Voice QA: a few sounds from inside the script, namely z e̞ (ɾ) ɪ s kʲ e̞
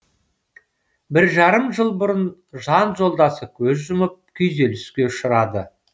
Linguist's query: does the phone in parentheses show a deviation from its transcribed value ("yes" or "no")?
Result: yes